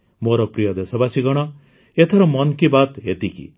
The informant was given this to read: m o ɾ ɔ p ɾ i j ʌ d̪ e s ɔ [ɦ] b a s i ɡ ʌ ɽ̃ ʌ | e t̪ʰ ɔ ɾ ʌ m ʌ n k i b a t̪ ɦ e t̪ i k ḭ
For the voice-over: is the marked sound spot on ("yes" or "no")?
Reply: no